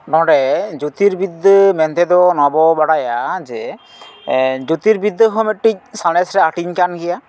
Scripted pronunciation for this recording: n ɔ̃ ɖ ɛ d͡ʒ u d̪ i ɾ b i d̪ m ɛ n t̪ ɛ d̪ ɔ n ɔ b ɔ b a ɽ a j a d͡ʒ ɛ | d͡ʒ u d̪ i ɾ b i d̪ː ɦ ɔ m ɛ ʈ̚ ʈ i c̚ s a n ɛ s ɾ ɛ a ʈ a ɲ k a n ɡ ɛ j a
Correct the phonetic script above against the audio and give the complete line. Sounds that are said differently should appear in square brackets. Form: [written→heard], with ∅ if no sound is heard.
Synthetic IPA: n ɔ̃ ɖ ɛ d͡ʒ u [d̪→t̪] i ɾ b i d̪ m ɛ n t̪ ɛ d̪ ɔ n ɔ b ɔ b a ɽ a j a d͡ʒ ɛ | d͡ʒ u [d̪→t̪] i ɾ b i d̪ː ɦ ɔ m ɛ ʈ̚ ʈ i c̚ s a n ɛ s ɾ ɛ a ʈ [a→i] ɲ k a n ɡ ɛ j a